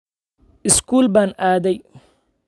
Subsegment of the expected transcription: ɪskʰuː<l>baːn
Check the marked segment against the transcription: correct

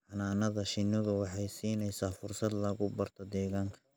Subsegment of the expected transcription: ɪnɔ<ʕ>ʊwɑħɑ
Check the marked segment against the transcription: incorrect: ð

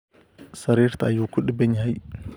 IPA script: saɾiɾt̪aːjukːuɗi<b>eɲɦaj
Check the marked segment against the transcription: correct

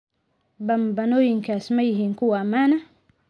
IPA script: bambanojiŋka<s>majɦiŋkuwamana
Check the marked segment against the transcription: correct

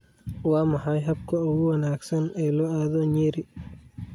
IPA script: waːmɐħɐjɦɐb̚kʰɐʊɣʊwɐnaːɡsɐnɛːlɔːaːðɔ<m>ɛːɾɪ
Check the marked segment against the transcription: incorrect: ɲ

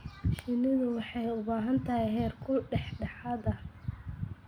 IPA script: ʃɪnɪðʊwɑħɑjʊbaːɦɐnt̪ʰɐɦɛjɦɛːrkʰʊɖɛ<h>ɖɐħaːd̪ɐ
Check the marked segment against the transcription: incorrect: ħ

